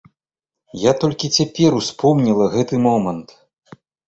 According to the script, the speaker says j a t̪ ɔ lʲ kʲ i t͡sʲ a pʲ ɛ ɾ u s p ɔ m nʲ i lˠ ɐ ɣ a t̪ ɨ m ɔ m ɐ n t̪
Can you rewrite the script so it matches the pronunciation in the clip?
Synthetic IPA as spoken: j a t̪ ɔ lʲ kʲ i t͡sʲ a pʲ ɛ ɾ u s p ɔ m nʲ i lˠ ɐ ɣ ɛ t̪ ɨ m ɔ m ɐ n t̪

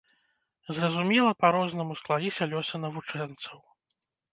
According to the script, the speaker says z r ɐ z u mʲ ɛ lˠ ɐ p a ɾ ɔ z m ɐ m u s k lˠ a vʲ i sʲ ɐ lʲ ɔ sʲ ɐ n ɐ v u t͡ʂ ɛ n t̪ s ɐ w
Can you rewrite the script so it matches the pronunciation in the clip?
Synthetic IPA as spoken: z r ɐ z u mʲ ɛ lˠ ɐ p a ɾ ɔ z n ɐ m u s k lˠ a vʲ i sʲ ɐ lʲ ɔ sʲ ɐ n ɐ v u t͡ʂ ɛ n t̪ s ɐ w

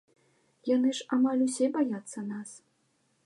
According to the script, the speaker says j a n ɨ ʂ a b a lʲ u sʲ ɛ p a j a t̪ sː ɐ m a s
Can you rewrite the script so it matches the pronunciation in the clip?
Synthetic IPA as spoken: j a n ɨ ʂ a m a lʲ u sʲ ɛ b a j a t̪ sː ɐ n a s

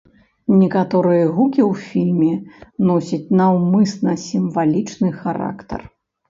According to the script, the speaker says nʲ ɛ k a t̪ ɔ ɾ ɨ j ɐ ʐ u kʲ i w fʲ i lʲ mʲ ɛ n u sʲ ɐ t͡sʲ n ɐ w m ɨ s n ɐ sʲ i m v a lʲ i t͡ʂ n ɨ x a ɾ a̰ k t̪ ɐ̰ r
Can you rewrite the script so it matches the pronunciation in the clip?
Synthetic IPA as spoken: nʲ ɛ k a t̪ ɔ ɾ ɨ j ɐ ɣ u kʲ i w fʲ i lʲ mʲ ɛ n ɔ sʲ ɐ t͡sʲ n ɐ w m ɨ s n ɐ sʲ i m v a lʲ i t͡ʂ n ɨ x a ɾ a̰ k t̪ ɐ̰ r

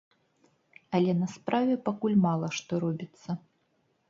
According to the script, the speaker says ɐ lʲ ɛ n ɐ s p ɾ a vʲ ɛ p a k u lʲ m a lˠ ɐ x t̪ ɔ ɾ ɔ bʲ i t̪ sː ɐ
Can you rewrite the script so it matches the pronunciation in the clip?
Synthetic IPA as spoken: ɐ lʲ ɛ n ɐ s p ɾ a vʲ ɛ p a k u lʲ m a lˠ ɐ ʂ t̪ ɔ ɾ ɔ bʲ i t̪ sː ɐ

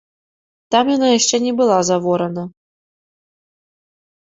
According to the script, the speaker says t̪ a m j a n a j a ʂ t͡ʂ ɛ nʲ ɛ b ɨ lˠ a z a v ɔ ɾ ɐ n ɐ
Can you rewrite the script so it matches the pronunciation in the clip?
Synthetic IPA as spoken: t̪ a m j a n a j a ʂ t͡ʂ ɛ nʲ ɛ b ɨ lˠ a z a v ɔ ɾ ɐ n ɐ

